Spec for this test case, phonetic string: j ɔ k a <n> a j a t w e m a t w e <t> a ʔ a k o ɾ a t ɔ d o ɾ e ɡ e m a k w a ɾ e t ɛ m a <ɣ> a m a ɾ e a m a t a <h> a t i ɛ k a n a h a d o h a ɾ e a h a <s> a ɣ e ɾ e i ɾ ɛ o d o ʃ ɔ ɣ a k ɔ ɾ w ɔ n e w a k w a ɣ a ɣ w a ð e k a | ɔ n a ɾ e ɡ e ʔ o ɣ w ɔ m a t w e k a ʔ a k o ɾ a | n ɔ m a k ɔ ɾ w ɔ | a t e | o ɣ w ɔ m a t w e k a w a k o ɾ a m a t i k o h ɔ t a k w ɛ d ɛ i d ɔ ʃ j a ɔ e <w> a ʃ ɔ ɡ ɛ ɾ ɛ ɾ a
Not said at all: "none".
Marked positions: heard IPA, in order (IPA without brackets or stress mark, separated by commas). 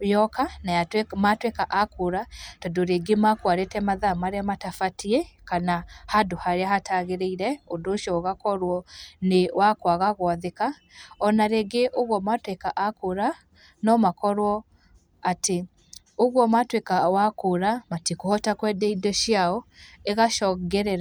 n, k, ð, f, t, ɣ